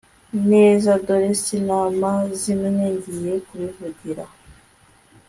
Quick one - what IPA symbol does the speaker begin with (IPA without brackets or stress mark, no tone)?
n